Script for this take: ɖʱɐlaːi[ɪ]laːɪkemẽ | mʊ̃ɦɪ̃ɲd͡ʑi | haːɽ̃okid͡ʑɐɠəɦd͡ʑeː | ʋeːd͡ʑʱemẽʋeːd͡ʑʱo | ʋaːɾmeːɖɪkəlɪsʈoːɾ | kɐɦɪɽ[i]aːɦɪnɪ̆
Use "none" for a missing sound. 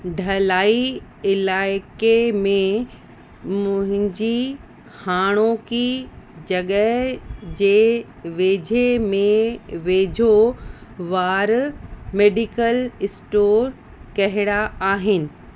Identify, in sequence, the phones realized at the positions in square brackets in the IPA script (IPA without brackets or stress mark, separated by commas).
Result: ɪ, a